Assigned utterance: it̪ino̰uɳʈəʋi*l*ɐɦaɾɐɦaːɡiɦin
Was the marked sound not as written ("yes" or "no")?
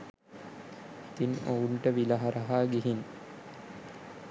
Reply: no